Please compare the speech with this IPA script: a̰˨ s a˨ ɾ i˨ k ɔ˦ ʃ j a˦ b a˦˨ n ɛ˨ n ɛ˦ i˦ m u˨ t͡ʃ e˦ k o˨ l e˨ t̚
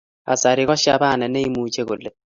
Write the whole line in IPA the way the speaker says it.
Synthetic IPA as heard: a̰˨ s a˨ ɾ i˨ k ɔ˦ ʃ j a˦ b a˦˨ n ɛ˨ n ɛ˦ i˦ m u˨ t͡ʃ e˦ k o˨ l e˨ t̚